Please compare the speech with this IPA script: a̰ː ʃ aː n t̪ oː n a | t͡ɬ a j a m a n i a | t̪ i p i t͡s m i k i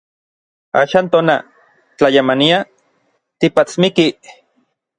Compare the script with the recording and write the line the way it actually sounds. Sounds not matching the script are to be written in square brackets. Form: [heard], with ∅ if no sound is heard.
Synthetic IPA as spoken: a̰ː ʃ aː n t̪ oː n a | t͡ɬ a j a m a n i a | t̪ i p [a] t͡s m i k i